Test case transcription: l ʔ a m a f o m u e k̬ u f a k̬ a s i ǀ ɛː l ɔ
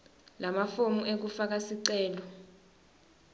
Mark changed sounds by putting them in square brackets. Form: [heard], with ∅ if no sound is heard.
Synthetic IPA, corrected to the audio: l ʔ a m a f o m u e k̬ u f a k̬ a s i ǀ ɛː l ɔ

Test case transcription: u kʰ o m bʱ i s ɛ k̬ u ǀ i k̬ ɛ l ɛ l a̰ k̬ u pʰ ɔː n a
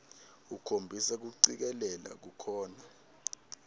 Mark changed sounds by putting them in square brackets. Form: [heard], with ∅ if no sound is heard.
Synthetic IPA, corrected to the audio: u kʰ o m bʱ i s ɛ k̬ u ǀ i k̬ ɛ l ɛ l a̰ k̬ u [kʰ] ɔː n a

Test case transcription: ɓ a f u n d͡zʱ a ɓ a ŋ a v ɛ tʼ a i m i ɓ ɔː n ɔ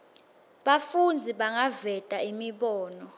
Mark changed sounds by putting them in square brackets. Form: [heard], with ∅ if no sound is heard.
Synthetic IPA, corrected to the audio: ɓ a f u n d͡zʱ [i] ɓ a ŋ a v ɛ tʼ a i m i ɓ ɔː n ɔ

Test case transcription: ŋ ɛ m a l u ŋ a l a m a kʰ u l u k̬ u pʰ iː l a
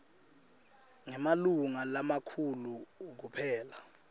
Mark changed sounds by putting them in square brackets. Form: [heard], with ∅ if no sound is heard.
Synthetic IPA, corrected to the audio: ŋ ɛ m a l u ŋ a l a m a kʰ u l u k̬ u pʰ [ɛː] l a

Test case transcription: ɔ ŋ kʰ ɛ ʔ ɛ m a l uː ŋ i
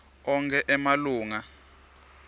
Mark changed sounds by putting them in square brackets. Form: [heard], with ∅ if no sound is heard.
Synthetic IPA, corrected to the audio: ɔ ŋ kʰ ɛ ʔ ɛ m a l uː ŋ [a]

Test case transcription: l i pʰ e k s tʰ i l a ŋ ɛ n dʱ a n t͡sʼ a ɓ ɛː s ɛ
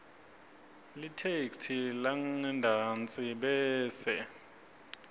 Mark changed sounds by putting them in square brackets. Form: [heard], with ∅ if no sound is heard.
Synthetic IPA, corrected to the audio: l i [tʰ] e k s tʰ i l a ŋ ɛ n dʱ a n t͡sʼ [i] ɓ ɛː s ɛ

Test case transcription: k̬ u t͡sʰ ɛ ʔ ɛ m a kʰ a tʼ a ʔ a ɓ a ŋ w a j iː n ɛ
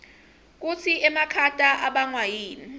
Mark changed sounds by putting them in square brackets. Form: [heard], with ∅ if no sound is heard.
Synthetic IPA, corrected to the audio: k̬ u t͡sʰ [i] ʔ ɛ m a kʰ a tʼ a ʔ a ɓ a ŋ w a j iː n [i]

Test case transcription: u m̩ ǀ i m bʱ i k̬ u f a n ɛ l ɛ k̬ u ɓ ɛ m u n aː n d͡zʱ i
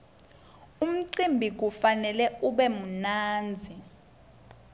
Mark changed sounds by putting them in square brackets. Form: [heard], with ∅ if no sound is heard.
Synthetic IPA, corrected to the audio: u m̩ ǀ i m bʱ i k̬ u f a n ɛ l ɛ [∅] u ɓ ɛ m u n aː n d͡zʱ i

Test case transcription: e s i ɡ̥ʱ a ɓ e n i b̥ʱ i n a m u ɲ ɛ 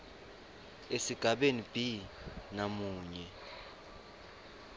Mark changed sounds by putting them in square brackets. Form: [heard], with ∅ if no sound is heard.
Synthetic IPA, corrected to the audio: e s i ɡ̥ʱ a ɓ e n i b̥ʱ i n a m [uː] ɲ ɛ

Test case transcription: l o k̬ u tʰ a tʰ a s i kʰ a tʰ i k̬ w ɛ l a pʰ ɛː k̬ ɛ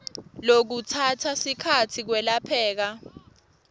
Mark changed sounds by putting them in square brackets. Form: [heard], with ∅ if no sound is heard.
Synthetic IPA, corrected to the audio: l o k̬ u tʰ a tʰ a s i kʰ a tʰ i k̬ w ɛ l a pʰ ɛː k̬ [a]

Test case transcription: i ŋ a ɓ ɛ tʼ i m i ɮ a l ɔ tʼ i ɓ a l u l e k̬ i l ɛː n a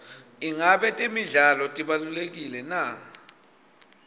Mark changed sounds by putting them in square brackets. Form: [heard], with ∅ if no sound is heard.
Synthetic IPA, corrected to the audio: i ŋ a ɓ ɛ tʼ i m i ɮ a l ɔ tʼ i ɓ a l u l e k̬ i l [ɛ] n a

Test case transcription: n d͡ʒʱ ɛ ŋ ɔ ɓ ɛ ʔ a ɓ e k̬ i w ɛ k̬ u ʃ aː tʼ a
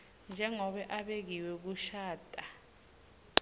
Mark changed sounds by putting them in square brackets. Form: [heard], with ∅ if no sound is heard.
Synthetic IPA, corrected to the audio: n d͡ʒʱ ɛ ŋ ɔ ɓ ɛ ʔ a ɓ e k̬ i w ɛ k̬ u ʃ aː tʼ a

